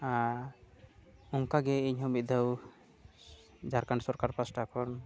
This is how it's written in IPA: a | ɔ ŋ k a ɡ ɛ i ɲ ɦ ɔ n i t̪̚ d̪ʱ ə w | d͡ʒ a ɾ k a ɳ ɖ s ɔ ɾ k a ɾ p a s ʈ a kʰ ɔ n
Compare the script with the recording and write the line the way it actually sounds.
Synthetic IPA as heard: a | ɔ ŋ k a ɡ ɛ i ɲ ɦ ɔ m i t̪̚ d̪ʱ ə w | d͡ʒ a ɾ k a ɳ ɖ s ɔ ɾ k a ɾ p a s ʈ a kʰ ɔ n